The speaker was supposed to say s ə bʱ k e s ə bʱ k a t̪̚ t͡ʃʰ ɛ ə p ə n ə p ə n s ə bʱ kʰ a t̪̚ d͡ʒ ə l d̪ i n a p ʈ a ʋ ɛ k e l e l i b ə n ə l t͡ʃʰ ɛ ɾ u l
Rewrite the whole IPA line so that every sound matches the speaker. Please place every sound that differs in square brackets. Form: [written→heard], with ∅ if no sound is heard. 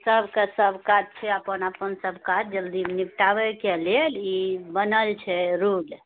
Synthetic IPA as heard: s ə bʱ k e s ə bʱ k a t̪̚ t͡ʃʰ ɛ ə p ə n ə p ə n s ə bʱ [kʰ→k] a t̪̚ d͡ʒ ə l d̪ i n [a→i] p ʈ a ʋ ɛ k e l e l i b ə n ə l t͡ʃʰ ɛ ɾ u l